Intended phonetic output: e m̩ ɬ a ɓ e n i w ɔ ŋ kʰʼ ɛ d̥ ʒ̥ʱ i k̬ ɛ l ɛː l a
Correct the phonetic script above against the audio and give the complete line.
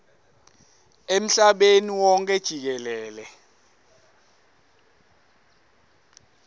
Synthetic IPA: e m̩ ɬ a ɓ e n i w ɔ ŋ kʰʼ ɛ d̥ ʒ̥ʱ i k̬ ɛ l ɛː l ɛ